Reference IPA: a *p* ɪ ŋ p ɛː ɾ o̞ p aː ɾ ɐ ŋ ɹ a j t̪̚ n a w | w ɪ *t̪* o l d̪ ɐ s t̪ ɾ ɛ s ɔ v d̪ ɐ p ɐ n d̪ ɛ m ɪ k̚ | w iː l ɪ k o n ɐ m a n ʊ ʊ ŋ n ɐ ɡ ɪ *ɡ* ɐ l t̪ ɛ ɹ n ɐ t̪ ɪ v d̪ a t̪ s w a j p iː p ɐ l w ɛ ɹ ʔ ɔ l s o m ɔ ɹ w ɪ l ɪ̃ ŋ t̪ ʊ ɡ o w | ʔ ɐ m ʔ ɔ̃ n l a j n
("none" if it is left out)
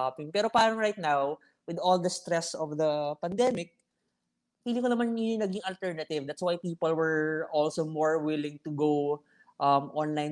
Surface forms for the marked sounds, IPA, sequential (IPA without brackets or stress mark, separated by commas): p, d̪, ŋ